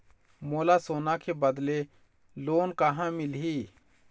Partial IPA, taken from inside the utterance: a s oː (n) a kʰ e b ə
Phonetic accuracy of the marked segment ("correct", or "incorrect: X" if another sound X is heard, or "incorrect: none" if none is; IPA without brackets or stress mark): correct